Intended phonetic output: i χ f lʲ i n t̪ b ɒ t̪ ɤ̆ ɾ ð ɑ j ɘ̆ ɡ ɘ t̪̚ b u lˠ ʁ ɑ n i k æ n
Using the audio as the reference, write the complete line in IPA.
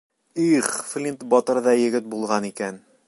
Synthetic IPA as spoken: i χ f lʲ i n t̪ b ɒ t̪ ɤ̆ ɾ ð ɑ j ɘ̆ ɡ ɘ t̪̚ b u lˠ ʁ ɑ n i k æ n